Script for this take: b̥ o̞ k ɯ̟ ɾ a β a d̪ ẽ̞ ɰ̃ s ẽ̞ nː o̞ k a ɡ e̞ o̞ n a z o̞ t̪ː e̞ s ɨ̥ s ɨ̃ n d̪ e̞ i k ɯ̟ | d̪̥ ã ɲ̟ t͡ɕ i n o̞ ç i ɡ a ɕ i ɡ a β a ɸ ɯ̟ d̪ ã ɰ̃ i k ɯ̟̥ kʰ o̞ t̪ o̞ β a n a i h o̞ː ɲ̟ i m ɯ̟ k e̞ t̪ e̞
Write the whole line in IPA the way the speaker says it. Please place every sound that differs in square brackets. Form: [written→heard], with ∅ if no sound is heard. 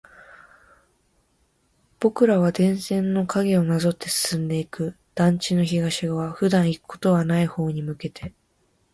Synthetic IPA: b̥ o̞ k ɯ̟ ɾ a β a d̪ ẽ̞ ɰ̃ s ẽ̞ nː o̞ k a ɡ e̞ o̞ n a z o̞ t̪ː e̞ s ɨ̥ s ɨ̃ n d̪ e̞ i k ɯ̟ | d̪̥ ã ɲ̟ t͡ɕ i n o̞ ç i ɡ a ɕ i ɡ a β a ɸ ɯ̟ d̪ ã ɰ̃ i k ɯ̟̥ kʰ o̞ t̪ o̞ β a n a i h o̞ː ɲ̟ i m ɯ̟ k e̞ t̪ e̞